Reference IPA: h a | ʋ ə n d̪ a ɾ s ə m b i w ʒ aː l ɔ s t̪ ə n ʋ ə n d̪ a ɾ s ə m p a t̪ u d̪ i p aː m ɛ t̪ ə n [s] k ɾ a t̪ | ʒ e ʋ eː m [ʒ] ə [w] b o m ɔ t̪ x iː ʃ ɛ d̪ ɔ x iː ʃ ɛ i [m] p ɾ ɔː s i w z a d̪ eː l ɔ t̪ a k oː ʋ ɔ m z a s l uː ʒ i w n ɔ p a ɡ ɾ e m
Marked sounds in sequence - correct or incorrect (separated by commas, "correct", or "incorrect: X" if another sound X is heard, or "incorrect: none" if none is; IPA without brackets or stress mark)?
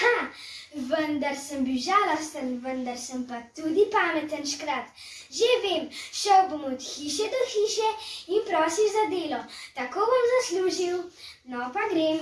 incorrect: ʃ, incorrect: ʃ, correct, incorrect: n